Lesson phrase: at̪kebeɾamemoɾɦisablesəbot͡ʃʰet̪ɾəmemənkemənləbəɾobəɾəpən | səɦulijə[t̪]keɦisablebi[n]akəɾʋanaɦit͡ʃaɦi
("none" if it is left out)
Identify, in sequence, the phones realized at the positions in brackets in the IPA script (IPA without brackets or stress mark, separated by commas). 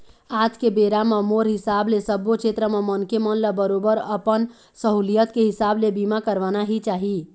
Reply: t̪, m